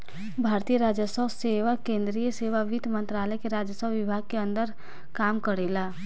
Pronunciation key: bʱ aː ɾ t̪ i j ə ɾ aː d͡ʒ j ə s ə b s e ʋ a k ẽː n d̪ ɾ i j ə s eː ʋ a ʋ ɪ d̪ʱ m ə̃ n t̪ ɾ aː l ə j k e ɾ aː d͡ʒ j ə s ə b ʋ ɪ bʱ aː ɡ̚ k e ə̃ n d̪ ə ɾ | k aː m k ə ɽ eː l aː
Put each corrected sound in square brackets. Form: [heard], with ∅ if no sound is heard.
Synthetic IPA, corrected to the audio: bʱ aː ɾ t̪ i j ə ɾ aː d͡ʒ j ə s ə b s e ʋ a k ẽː n d̪ ɾ i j ə s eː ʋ a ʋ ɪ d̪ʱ m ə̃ n t̪ ɾ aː l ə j k e ɾ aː d͡ʒ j ə s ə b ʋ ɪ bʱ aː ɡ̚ k e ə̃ n d̪ ə ɾ | k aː m k ə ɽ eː l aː

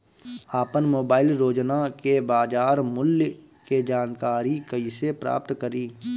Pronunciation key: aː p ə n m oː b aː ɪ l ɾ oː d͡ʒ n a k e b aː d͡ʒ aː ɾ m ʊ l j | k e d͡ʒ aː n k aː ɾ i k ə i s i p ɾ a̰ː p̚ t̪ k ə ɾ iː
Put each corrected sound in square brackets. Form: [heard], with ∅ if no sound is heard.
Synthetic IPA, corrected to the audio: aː p ə n m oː b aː ɪ l ɾ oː d͡ʒ n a k e b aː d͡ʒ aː ɾ m ʊ l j | k e d͡ʒ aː n k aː ɾ i k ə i s [e] p ɾ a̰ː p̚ t̪ k ə ɾ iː

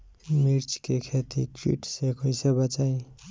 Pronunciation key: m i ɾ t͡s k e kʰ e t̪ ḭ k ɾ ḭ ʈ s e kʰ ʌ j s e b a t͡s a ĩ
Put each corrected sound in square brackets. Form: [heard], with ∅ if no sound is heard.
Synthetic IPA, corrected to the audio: m i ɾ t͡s k e kʰ e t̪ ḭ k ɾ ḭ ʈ s e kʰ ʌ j s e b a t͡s a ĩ

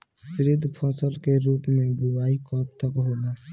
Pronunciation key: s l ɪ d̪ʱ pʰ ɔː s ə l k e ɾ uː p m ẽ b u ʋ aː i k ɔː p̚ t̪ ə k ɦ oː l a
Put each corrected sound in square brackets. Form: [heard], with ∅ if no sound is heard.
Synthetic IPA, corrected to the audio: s [ɾ] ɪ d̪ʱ pʰ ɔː s ə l k e ɾ uː p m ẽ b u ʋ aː i k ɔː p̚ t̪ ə k ɦ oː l a

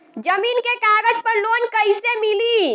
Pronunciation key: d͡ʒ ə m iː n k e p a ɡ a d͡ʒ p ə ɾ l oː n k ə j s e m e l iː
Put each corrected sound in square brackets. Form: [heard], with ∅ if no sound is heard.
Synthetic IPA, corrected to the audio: d͡ʒ ə m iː n k e [k] a ɡ [ə] d͡ʒ p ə ɾ l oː n k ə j s e m [i] l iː

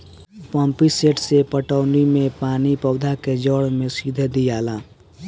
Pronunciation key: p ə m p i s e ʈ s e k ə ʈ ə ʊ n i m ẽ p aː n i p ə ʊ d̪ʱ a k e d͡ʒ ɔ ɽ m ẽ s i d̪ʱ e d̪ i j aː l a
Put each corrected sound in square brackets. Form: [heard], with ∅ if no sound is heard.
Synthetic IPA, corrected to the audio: p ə m p i s e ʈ s e [p] ə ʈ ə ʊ n i m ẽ p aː n i p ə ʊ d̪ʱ a k e d͡ʒ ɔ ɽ m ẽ s i d̪ʱ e d̪ i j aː l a

